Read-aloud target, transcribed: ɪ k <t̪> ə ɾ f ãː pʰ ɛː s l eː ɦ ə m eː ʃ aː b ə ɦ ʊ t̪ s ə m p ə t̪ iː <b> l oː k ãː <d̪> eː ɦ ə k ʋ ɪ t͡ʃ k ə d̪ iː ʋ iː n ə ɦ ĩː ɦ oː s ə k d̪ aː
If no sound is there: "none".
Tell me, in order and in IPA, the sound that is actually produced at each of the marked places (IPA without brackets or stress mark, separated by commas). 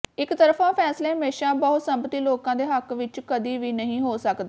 t̪, none, d̪